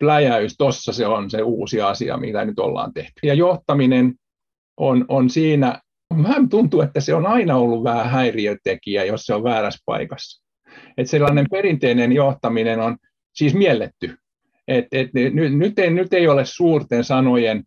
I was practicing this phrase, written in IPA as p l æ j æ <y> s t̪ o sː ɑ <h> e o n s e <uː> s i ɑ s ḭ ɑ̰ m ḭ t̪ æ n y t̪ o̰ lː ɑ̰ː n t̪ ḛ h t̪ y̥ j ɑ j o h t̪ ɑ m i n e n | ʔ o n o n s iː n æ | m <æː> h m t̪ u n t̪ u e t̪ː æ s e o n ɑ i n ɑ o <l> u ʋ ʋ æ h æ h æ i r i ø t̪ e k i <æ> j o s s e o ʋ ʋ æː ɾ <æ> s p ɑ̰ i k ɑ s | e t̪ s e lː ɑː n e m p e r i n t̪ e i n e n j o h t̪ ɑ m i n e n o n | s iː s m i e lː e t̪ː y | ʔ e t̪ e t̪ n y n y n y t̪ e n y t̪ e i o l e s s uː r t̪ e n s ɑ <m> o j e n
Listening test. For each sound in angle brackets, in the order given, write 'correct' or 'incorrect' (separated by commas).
correct, incorrect, correct, incorrect, incorrect, correct, correct, incorrect